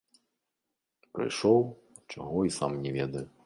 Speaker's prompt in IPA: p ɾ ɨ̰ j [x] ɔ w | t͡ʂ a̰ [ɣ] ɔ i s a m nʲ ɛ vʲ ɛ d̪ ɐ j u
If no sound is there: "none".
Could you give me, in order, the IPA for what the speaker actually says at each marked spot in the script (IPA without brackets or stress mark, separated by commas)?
ʂ, ɣ